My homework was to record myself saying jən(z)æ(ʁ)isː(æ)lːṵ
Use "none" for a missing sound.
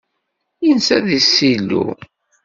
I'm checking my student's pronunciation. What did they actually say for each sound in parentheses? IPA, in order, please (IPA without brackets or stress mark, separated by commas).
s, ð, i